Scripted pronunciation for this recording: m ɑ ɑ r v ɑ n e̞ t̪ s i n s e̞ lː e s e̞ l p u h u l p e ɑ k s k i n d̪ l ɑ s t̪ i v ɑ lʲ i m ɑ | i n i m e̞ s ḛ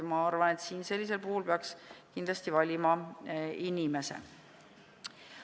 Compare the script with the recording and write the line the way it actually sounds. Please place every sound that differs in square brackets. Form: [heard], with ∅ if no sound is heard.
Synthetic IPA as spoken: m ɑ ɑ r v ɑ n e̞ t̪ s [iː] n s e̞ lː [i] s e̞ l p u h u l p e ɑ k s k i n d̪ l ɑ s t̪ i v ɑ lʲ i m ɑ | i n i m e̞ s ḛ